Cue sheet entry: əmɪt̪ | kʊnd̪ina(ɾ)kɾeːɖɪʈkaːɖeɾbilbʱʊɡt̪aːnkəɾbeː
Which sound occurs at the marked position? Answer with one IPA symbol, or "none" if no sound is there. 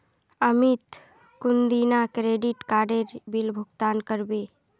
none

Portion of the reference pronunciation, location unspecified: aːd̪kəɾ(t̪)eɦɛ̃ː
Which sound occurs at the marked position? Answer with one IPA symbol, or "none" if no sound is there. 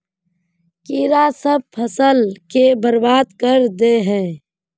d̪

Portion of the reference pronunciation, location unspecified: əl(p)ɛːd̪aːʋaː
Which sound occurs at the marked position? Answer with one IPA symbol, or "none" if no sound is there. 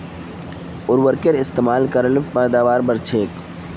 p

